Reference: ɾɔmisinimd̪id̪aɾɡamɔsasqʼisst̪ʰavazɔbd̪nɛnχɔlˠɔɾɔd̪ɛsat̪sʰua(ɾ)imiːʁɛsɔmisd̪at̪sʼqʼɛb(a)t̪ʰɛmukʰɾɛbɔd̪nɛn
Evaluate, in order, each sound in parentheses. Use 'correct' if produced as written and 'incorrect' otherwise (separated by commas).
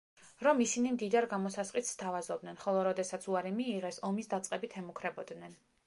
correct, incorrect